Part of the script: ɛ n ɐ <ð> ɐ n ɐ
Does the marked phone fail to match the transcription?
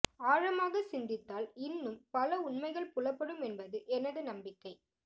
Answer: no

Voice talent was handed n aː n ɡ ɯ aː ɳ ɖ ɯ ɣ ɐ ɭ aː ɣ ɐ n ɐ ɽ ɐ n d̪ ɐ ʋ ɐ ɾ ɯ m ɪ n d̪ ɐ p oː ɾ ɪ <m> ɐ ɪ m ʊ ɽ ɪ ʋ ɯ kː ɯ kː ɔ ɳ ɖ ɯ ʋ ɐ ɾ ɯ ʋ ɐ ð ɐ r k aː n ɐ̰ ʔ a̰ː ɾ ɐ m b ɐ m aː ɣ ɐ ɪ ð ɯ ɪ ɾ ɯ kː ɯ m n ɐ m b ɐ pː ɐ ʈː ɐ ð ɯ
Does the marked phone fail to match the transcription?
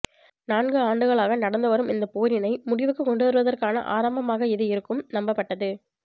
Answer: yes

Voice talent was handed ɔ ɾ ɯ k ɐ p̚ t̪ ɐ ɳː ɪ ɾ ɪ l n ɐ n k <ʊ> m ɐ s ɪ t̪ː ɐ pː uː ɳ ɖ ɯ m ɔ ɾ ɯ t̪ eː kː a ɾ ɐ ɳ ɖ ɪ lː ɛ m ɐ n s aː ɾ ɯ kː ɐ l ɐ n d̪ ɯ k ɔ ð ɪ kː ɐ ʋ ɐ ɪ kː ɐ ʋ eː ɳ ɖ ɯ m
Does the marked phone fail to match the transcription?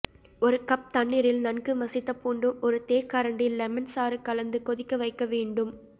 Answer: yes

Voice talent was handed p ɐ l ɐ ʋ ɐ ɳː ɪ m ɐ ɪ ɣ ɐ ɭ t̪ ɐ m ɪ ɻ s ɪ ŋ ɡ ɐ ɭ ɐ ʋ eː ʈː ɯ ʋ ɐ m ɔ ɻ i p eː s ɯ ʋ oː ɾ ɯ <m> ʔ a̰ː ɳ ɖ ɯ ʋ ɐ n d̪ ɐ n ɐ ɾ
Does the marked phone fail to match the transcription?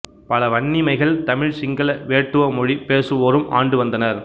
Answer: no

